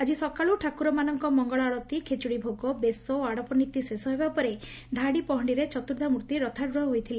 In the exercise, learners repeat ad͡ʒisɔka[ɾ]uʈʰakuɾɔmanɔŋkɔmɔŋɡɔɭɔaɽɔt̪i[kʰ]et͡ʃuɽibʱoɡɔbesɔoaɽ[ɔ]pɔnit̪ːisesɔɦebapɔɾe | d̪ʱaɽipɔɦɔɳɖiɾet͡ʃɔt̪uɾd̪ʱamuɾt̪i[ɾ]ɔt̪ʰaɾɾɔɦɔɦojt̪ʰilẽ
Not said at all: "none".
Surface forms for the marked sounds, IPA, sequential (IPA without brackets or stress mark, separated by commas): ɭ, kʰ, ɔ, ɾ